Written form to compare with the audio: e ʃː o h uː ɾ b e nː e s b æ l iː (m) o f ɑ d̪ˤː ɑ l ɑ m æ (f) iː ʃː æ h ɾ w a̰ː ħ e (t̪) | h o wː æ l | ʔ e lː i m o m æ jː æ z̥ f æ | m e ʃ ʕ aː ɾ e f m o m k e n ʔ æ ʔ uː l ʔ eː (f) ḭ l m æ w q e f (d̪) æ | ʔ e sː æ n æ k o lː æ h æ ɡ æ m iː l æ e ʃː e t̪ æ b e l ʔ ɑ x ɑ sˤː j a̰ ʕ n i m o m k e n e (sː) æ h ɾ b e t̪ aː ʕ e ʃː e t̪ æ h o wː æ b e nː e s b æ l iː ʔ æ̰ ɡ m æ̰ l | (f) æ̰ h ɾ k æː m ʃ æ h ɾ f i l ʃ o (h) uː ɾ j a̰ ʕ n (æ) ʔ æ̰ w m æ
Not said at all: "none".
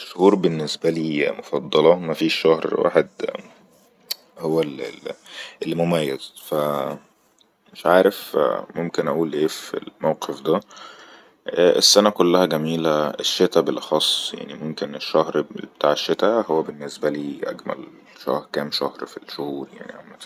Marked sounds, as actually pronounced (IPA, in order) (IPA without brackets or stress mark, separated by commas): m, f, d̪, f, d̪, ʃː, ʃ, h, i